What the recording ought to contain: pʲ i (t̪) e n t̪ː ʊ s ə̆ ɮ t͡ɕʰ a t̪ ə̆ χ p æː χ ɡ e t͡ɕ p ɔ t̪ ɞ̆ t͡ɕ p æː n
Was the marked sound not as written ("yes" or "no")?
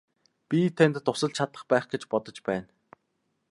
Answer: yes